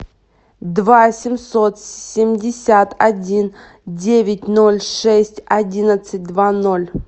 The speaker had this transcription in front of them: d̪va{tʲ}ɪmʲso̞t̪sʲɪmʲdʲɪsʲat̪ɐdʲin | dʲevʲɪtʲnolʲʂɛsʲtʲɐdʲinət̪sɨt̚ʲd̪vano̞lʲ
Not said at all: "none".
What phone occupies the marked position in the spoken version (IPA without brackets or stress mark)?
sʲ